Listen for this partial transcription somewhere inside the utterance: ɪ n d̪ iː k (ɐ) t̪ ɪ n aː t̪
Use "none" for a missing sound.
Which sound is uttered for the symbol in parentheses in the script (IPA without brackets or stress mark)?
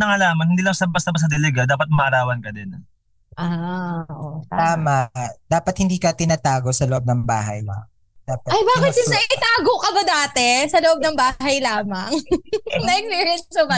ɐ